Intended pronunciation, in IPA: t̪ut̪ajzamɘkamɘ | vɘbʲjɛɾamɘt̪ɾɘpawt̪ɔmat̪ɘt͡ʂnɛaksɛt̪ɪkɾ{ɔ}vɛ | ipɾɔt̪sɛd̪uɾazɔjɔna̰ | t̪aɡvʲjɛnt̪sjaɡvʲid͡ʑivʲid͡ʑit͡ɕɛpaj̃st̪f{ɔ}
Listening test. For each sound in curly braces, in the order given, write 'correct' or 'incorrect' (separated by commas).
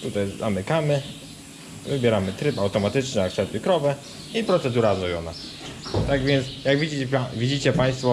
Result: correct, correct